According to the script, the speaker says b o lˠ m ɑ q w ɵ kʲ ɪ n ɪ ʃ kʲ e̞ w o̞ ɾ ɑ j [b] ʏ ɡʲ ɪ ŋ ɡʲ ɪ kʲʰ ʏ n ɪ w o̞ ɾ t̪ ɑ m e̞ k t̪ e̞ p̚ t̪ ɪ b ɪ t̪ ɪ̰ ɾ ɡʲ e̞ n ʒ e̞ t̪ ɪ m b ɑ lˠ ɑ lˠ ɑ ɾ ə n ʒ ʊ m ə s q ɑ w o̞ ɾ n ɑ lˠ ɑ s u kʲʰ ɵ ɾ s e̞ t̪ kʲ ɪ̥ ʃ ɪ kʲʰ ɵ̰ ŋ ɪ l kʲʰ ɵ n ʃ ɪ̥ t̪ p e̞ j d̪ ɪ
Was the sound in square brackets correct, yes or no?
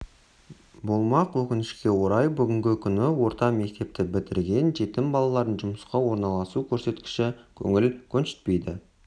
yes